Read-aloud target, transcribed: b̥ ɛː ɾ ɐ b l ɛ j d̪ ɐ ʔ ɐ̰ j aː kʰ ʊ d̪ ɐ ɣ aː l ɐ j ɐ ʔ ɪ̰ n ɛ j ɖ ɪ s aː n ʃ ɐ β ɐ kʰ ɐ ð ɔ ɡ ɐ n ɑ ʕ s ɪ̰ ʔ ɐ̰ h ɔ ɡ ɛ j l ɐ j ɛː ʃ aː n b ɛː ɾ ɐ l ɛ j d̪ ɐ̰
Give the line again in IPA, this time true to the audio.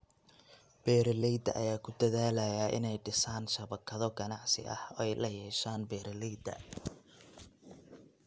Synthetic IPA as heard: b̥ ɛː ɾ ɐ l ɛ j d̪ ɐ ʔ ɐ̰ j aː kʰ ʊ d̪ ɐ ð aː l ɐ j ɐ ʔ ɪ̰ n ɛ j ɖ ɪ s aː n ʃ ɐ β ɐ kʰ ɐ ð ɔ ɡ ɐ n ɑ ʕ s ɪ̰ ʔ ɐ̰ h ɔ ɛ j l ɐ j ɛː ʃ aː n b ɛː ɾ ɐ l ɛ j d̪ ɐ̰

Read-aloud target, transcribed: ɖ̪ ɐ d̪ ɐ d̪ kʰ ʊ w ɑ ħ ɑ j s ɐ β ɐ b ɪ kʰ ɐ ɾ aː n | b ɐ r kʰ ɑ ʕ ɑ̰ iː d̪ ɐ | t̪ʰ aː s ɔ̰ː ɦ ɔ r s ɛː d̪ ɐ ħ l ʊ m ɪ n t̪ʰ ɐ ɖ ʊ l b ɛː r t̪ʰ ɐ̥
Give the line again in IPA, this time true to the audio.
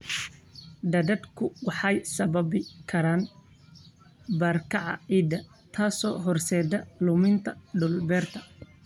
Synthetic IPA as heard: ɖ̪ ɐ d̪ ɐ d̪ kʰ ʊ w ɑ ħ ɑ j s ɐ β ɐ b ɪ kʰ ɐ ɾ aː n | b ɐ r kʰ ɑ ʕ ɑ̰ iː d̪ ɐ | t̪ʰ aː s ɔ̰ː ɦ ɔ r s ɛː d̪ ɐ l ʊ m ɪ n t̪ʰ ɐ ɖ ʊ l b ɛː r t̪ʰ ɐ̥

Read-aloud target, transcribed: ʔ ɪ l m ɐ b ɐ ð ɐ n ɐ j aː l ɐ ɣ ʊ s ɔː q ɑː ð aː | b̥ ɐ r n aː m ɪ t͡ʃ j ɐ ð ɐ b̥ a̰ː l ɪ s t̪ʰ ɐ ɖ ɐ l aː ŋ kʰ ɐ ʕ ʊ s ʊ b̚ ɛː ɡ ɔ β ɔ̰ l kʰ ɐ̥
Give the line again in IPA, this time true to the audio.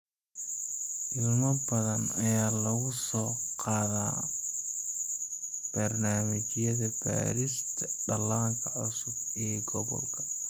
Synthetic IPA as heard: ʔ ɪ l m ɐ b ɐ ð ɐ n ɐ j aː l ɐ ɣ ʊ s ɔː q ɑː ð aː | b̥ ɐ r n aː m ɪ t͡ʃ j ɐ ð ɐ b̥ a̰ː ɾ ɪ s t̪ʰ ɐ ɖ ɐ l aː ŋ kʰ ɐ ʕ ʊ s ʊ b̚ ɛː ɡ ɔ β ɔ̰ l kʰ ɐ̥

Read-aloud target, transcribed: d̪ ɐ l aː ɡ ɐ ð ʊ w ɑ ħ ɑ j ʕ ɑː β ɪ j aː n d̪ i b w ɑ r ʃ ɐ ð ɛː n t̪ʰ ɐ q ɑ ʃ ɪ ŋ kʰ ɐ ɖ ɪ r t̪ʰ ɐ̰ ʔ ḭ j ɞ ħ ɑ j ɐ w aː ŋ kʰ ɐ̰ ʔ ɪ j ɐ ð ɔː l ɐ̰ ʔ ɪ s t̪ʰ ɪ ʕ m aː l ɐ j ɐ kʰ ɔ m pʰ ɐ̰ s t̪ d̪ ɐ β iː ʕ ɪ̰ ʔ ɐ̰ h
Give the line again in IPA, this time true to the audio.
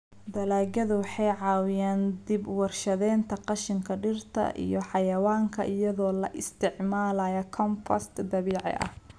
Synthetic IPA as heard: d̪ ɐ l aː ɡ ɐ ð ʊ w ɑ ħ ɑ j ʕ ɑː w ɪ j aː n d̪ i b w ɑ r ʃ ɐ ð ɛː n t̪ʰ ɐ q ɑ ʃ ɪ ŋ kʰ ɐ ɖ ɪ r t̪ʰ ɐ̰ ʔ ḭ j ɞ ħ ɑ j ɐ w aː ŋ kʰ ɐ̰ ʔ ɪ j ɐ ð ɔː l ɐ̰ ʔ ɪ s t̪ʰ ɪ ʕ m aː l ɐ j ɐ kʰ ɔ m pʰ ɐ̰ s t̪ d̪ ɐ β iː ʕ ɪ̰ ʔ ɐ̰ h

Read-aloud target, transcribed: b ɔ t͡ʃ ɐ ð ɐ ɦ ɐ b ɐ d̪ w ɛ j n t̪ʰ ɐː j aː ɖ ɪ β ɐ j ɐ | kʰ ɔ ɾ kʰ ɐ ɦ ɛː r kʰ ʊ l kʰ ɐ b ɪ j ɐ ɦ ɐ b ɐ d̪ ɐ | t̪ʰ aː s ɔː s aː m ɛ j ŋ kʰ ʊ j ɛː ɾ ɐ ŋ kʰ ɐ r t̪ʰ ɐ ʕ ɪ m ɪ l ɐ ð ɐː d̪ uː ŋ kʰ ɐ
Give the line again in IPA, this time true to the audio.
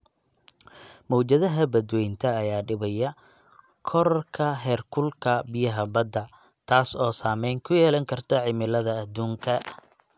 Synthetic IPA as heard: m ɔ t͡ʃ ɐ ð ɐ ɦ ɐ b ɐ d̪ w ɛ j n t̪ʰ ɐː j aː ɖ ɪ β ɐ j ɐ | kʰ ɔ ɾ kʰ ɐ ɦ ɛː r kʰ ʊ l kʰ ɐ b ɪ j ɐ ɦ ɐ b ɐ d̪ ɐ | t̪ʰ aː s ɔː s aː m ɛ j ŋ kʰ ʊ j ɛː l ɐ ŋ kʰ ɐ r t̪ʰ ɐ ʕ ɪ m ɪ l ɐ ð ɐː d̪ uː ŋ kʰ ɐ

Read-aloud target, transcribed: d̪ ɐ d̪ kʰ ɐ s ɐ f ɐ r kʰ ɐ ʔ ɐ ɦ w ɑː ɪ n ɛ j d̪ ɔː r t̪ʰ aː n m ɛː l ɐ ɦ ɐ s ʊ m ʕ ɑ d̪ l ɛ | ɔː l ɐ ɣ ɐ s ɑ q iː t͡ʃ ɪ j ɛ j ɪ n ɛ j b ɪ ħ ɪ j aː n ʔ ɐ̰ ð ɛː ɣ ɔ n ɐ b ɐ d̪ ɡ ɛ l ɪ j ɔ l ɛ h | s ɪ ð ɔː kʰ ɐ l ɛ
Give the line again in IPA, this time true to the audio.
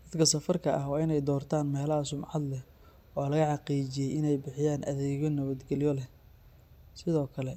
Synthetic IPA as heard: d̪ ɐ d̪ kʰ ɐ s ɐ f ɐ r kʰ ɐ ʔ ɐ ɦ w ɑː ɪ n ɛ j d̪ ɔː r t̪ʰ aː n m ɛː l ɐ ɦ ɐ s ʊ m ʕ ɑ d̪ l ɛ | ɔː l ɐ ɣ ɐ ħ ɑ q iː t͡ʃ ɪ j ɛ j ɪ n ɛ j b ɪ ħ ɪ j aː n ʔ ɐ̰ ð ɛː ɣ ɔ n ɐ β ɐ d̪ ɡ ɛ l ɪ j ɔ l ɛ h | s ɪ ð ɔː kʰ ɐ l ɛ

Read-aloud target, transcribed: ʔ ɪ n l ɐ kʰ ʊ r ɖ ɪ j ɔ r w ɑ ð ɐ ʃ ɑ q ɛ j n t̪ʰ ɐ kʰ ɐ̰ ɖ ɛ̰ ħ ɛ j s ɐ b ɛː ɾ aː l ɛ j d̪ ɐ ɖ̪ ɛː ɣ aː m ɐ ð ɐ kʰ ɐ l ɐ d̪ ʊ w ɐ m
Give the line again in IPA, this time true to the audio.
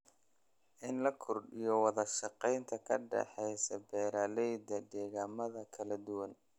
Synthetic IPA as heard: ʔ ɪ n l ɐ kʰ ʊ r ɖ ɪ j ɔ w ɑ ð ɐ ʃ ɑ q ɛ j n t̪ʰ ɐ kʰ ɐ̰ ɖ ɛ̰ ħ ɛ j s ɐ b ɛː ɾ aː l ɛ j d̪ ɐ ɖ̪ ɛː ɣ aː m ɐ ð ɐ kʰ ɐ l ɐ d̪ ʊ w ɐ n

